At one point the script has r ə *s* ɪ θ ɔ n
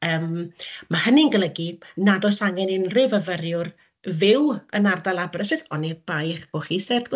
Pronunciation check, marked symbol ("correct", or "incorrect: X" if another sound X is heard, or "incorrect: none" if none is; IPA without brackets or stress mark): correct